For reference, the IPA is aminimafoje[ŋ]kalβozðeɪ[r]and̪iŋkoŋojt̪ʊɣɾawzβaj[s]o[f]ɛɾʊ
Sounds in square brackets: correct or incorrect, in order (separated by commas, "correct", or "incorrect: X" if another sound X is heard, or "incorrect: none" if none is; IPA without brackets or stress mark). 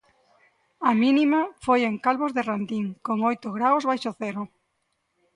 correct, correct, incorrect: ʃ, incorrect: θ